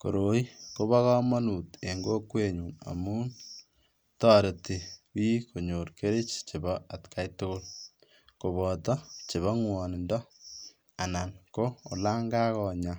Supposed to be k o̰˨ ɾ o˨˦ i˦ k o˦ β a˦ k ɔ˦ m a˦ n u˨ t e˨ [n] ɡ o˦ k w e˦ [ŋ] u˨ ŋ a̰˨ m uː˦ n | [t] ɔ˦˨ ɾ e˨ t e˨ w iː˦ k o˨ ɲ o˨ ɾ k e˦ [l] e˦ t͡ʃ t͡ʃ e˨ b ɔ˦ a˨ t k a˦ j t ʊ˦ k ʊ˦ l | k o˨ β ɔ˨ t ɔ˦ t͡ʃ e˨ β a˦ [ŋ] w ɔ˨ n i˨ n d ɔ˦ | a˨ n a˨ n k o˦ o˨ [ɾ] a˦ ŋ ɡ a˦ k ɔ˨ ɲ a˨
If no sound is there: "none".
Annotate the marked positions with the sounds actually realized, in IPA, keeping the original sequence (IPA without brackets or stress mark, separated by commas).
ŋ, ɲ, t, ɾ, ŋ, l